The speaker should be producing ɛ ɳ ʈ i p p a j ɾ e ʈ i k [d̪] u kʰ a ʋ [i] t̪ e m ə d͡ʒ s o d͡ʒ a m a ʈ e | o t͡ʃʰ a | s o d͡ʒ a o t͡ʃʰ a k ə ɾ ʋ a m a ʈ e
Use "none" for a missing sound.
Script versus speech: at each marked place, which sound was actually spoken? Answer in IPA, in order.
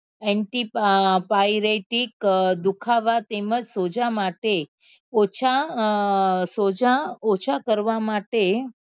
d̪, a

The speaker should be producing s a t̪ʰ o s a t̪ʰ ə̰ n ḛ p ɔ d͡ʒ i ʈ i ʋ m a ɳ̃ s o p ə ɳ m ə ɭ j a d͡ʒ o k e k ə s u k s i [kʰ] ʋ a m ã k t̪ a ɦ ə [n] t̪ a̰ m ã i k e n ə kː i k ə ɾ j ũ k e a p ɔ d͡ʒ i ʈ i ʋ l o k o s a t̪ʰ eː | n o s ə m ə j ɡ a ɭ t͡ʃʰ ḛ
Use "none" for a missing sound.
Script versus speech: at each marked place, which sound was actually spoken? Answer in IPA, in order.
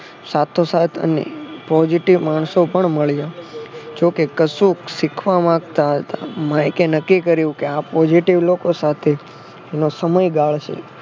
kʰ, none

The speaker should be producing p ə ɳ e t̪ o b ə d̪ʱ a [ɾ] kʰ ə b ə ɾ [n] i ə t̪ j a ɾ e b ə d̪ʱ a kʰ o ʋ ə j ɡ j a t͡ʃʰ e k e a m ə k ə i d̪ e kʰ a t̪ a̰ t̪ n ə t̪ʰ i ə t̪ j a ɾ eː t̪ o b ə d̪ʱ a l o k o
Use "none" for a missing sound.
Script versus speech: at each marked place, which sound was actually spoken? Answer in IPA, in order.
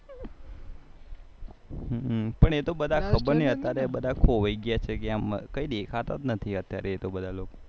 none, n

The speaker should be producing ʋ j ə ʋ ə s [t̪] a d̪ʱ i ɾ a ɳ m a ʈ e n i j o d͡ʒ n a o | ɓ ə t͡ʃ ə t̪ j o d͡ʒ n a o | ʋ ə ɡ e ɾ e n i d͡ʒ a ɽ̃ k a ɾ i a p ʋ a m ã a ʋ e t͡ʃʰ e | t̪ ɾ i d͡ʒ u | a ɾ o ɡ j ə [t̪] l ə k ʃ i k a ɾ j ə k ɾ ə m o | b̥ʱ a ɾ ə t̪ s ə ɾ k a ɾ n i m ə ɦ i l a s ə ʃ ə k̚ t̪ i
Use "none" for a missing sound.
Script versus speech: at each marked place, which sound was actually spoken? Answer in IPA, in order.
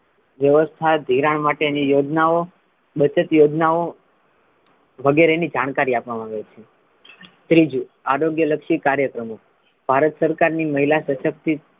t̪ʰ, none

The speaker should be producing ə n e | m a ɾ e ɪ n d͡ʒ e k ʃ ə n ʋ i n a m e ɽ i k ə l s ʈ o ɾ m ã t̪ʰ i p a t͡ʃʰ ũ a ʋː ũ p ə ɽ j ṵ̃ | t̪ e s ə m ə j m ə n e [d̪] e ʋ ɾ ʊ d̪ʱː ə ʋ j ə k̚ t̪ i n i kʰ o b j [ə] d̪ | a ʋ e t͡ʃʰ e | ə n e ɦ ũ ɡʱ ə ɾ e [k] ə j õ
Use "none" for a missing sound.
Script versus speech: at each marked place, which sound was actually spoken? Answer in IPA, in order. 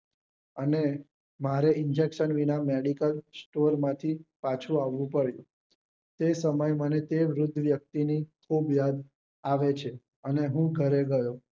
t̪, a, ɡ

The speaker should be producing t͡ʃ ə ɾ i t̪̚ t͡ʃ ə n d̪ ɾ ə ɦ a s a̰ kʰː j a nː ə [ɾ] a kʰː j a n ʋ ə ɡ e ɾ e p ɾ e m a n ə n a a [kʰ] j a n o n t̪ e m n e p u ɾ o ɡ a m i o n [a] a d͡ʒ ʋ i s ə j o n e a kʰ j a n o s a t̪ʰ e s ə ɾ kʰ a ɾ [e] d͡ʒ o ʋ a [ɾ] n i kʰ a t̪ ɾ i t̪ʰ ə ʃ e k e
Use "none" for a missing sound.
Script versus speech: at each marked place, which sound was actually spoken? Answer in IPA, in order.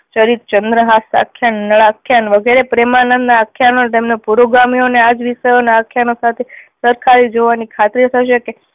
ɭ, kʰ, e, i, none

